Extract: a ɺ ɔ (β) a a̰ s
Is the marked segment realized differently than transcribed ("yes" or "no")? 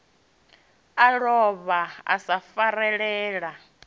no